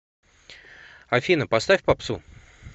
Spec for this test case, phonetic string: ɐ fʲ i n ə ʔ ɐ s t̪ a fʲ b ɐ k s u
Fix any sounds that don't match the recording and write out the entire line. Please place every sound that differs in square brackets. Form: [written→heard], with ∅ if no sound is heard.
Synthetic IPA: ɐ fʲ i n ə [ʔ→p] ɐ s t̪ a fʲ [b→p] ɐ [k→p] s u